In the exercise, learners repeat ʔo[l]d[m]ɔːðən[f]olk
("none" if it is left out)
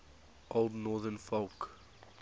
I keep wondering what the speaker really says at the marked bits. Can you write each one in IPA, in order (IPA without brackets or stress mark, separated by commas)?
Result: l, n, f